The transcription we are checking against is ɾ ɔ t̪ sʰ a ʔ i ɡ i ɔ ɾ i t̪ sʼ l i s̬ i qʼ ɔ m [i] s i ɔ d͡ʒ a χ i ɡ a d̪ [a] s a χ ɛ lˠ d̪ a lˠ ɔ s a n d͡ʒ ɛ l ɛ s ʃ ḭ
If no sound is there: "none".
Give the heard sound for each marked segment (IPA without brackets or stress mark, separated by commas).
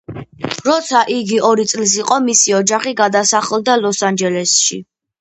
i, a